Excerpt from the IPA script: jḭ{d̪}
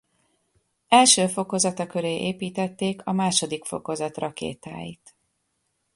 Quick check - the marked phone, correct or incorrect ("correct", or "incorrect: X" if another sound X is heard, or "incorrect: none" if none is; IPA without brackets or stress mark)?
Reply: incorrect: t̪